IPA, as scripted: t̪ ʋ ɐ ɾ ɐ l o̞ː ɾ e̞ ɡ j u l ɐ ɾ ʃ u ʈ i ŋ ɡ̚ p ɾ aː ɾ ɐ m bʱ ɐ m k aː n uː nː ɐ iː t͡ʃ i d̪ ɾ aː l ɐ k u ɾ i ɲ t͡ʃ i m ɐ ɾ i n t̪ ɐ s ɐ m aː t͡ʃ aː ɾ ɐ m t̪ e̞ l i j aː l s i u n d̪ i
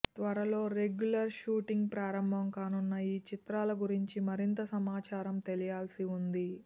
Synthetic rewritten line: t̪ ʋ ɐ ɾ ɐ l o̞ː ɾ e̞ ɡ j u l ɐ ɾ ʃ uː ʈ i ŋ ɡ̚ p ɾ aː ɾ ɐ m bʱ ɐ m k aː n u nː ɐ iː t͡ʃ i t̪ ɾ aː l ɐ ɡ u ɾ i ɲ t͡ʃ i m ɐ ɾ i n t̪ ɐ s ɐ m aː t͡ʃ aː ɾ ɐ m t̪ e̞ l i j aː l s i u n d̪ i